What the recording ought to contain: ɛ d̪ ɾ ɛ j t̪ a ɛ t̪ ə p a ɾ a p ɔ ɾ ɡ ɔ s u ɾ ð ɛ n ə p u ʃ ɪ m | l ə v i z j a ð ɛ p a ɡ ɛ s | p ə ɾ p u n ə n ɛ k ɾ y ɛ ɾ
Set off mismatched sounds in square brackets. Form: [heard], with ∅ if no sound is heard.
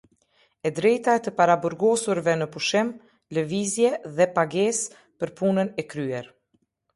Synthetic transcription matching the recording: ɛ d̪ ɾ ɛ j t̪ a ɛ t̪ ə p a ɾ a [b] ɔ ɾ ɡ ɔ s u ɾ [v] ɛ n ə p u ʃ ɪ m | l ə v i z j [ɛ] ð ɛ p a ɡ ɛ s | p ə ɾ p u n ə n ɛ k ɾ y ɛ ɾ